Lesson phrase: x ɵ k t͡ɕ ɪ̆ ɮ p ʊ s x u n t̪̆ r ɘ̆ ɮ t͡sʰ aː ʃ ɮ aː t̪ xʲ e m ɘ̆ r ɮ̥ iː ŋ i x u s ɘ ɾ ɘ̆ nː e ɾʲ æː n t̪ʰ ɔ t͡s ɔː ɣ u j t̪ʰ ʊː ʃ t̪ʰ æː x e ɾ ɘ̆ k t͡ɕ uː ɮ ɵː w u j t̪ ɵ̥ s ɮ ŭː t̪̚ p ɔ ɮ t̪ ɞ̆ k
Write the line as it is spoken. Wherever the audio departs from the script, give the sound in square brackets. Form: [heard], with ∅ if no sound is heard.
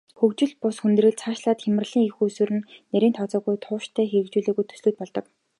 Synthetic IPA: x ɵ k t͡ɕ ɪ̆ ɮ p ʊ s x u n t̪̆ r ɘ̆ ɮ t͡sʰ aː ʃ ɮ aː t̪ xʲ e m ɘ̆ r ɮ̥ iː ŋ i x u s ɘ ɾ ɘ̆ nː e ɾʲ [iː] n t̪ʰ ɔ t͡s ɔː ɣ u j t̪ʰ ʊː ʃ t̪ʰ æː x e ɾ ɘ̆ k t͡ɕ uː ɮ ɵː [ɣ] u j [t̪ʰ] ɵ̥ s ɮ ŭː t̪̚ p ɔ ɮ t̪ ɞ̆ k